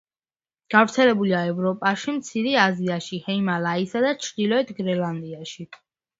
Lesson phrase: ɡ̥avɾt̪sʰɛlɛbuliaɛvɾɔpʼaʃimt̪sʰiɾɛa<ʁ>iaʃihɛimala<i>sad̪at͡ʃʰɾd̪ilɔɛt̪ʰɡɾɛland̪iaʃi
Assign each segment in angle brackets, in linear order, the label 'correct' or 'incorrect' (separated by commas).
incorrect, correct